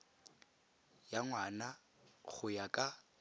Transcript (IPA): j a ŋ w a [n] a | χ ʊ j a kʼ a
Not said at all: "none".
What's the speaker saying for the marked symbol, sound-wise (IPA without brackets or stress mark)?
n